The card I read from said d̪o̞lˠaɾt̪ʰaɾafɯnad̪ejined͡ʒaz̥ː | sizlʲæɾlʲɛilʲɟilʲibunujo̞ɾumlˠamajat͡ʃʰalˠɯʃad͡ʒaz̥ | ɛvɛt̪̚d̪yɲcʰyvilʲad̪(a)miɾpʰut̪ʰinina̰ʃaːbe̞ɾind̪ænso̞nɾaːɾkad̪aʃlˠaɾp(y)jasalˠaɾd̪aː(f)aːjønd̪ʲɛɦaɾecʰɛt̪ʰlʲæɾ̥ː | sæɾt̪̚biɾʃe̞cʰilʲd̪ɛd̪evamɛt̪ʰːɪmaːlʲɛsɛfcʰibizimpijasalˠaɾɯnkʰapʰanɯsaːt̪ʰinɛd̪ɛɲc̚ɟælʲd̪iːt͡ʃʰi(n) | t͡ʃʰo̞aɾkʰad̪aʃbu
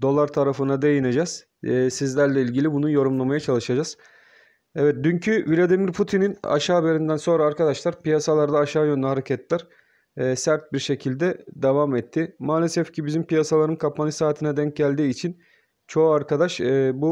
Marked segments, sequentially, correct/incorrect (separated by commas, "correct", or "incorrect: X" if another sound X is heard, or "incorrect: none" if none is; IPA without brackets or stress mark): incorrect: i, incorrect: i, incorrect: ʃ, correct